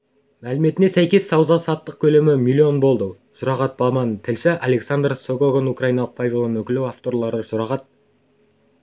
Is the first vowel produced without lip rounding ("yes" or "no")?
yes